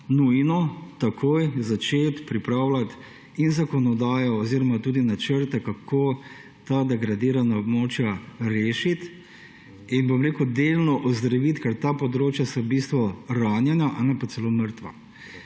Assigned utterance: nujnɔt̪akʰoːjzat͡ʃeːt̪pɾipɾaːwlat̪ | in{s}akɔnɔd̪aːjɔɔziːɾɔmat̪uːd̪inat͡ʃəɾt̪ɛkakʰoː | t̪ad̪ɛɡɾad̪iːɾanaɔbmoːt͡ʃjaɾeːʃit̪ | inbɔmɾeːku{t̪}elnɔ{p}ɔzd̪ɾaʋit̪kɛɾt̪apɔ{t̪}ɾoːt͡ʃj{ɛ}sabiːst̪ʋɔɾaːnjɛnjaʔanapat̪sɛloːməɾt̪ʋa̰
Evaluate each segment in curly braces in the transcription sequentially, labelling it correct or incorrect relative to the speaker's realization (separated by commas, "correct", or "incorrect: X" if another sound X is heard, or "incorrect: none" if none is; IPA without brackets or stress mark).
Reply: incorrect: z, incorrect: d̪, incorrect: ʔ, incorrect: d̪, incorrect: a